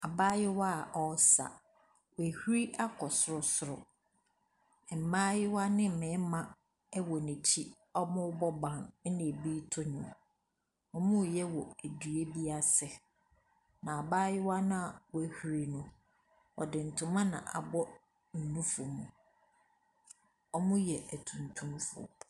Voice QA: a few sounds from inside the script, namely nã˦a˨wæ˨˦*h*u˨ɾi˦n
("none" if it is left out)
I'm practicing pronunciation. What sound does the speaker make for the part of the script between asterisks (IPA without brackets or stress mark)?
h